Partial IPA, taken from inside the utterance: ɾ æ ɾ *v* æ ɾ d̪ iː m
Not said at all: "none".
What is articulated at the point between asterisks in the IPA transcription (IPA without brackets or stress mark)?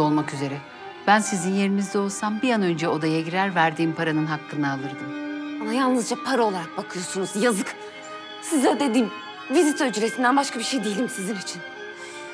v